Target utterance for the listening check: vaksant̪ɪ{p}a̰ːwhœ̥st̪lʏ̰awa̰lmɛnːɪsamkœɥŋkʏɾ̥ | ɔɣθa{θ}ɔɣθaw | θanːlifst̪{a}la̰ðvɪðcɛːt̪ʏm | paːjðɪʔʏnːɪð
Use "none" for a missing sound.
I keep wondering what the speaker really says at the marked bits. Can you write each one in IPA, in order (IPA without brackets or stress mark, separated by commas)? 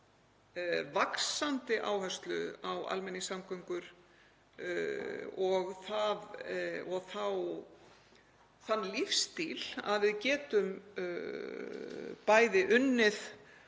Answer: ʔ, ð, i